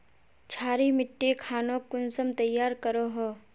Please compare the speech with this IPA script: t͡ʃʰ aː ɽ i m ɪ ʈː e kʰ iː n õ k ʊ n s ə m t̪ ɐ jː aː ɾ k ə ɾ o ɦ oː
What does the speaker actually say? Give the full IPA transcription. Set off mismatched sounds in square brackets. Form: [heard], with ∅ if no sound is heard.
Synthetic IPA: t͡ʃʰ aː [ɾ] i m ɪ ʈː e kʰ [aː] n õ k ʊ n s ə m t̪ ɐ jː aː ɾ k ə ɾ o ɦ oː